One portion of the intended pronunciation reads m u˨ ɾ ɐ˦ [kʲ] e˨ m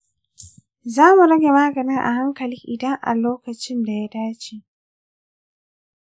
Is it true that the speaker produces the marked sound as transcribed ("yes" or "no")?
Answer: no